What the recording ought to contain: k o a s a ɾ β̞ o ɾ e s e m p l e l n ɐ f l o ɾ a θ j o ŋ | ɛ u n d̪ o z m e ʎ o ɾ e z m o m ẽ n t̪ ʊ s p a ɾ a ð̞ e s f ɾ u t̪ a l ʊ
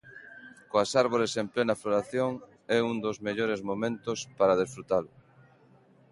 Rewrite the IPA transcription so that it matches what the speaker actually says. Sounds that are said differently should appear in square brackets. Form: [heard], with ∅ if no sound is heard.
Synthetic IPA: k o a s a ɾ β̞ o ɾ e s e m p l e [∅] n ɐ f l o ɾ a θ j o ŋ | ɛ u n d̪ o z m e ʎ o ɾ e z m o m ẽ n t̪ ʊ s p a ɾ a ð̞ e s f ɾ u t̪ a l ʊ